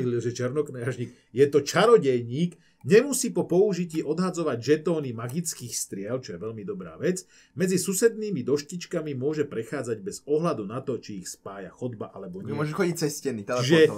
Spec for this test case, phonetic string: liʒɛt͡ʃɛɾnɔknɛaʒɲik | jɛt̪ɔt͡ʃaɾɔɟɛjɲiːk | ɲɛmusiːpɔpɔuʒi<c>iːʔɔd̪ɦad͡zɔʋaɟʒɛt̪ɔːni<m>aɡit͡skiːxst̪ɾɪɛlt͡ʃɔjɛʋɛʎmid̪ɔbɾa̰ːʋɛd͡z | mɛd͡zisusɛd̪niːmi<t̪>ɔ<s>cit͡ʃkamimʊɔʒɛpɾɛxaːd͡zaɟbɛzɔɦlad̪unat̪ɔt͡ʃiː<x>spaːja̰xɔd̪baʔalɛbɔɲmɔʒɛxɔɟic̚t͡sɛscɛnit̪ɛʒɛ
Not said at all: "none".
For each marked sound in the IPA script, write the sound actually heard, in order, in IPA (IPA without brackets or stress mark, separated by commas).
c, m, d̪, ʃ, x